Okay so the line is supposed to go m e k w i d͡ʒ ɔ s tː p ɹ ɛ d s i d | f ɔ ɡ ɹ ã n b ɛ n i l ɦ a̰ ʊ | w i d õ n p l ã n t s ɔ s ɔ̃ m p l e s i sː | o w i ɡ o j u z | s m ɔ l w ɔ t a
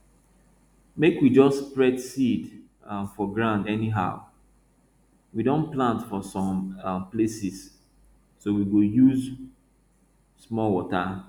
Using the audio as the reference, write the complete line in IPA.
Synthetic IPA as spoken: m e k w i d͡ʒ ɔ s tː p ɹ ɛ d s i d | f ɔ ɡ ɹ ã n d ɛ n i ɦ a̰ ʊ | w i d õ n p l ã n t f ɔ s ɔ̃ m p l e s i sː | o w i ɡ o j u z | s m ɔ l w ɔ t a